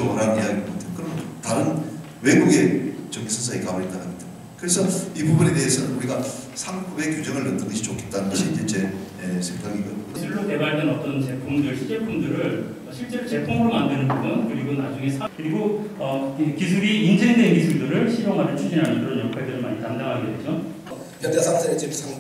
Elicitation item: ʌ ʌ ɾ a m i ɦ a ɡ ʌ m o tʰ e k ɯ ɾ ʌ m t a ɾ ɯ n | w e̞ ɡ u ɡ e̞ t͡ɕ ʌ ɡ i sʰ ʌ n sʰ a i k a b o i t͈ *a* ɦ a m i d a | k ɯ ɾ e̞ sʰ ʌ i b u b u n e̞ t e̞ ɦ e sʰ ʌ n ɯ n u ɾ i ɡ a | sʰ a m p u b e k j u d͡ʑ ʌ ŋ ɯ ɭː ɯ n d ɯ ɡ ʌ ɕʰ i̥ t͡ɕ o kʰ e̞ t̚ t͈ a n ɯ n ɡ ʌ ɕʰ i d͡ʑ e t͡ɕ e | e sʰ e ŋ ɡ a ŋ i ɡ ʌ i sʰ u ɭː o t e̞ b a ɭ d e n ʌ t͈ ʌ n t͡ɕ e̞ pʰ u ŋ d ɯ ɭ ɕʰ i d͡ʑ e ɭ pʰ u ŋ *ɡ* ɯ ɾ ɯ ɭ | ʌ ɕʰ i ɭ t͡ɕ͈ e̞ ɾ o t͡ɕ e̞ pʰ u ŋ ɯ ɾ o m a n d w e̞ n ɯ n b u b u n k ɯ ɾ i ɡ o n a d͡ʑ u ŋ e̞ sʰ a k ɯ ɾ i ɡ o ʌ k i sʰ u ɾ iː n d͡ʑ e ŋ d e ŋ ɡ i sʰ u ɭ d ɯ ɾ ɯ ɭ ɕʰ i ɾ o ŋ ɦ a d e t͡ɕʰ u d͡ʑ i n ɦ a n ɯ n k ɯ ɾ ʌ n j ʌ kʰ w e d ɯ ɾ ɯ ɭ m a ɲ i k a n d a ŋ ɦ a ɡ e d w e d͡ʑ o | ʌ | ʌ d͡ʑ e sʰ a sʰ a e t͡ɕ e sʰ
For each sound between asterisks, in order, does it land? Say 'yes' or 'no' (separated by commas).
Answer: yes, no